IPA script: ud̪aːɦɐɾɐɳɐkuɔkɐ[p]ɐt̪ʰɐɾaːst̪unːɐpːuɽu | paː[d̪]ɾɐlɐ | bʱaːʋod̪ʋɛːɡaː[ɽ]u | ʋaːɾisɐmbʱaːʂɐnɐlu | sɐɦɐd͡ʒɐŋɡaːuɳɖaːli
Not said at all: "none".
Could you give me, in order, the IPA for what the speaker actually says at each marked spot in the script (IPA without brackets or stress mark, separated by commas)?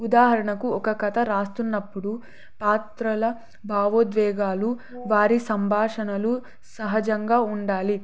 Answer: k, t̪, l